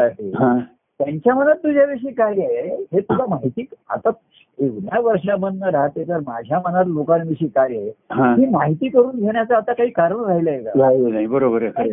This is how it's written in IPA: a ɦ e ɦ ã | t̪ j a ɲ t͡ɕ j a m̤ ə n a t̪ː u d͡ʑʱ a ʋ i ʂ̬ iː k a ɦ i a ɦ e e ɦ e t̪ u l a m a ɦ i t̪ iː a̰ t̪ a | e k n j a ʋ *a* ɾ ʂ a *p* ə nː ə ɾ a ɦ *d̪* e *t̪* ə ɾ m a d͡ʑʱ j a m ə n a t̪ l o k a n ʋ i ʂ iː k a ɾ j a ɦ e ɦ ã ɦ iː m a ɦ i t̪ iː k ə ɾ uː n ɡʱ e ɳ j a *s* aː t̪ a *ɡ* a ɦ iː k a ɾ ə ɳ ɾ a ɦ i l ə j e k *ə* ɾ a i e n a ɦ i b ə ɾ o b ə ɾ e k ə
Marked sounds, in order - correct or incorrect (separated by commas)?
incorrect, incorrect, incorrect, correct, incorrect, incorrect, incorrect